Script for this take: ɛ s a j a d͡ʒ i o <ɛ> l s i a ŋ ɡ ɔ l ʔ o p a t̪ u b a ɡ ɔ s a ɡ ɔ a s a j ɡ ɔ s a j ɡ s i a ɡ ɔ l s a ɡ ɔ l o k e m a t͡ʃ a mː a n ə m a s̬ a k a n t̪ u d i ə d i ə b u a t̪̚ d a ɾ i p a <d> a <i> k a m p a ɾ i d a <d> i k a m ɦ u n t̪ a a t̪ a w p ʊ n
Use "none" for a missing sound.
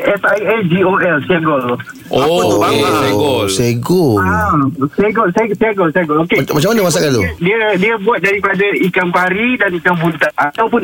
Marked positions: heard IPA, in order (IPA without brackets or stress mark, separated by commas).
ɛ, d, i, n